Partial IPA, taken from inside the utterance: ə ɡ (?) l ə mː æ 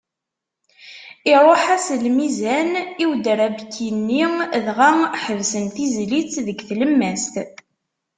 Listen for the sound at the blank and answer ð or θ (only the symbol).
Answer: θ